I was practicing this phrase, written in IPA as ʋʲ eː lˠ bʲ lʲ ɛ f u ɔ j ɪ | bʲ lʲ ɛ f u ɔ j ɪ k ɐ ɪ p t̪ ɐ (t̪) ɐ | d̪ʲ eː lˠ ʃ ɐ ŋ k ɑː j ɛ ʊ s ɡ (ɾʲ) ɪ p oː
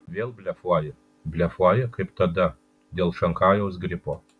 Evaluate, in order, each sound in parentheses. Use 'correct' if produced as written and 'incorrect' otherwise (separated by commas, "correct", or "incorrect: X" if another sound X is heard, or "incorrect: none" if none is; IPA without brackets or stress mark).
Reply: incorrect: d̪, correct